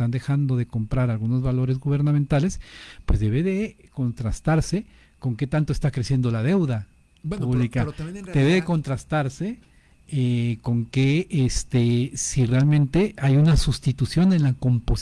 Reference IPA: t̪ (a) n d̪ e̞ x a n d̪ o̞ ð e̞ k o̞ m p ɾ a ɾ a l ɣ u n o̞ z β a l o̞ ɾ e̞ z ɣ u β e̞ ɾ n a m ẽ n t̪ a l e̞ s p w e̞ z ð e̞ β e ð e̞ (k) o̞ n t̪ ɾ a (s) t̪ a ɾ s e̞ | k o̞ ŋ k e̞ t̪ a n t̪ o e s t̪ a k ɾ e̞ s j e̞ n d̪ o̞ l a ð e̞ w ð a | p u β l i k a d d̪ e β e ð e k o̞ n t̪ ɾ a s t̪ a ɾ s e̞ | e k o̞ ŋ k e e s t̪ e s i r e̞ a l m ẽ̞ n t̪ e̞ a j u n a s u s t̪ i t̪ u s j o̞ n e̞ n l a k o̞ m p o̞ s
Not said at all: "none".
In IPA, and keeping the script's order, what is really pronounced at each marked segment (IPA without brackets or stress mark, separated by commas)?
a, k, s